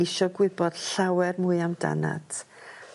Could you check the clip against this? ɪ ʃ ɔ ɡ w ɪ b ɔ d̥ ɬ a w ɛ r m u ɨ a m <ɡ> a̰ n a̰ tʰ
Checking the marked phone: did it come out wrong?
yes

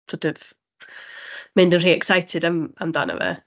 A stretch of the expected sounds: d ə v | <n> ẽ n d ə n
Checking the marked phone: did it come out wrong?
yes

